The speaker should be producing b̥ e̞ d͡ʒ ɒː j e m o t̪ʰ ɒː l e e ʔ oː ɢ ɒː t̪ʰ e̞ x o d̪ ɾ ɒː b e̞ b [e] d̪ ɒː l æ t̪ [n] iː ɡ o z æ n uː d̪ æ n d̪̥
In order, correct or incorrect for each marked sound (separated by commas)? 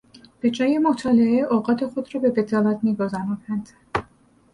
correct, incorrect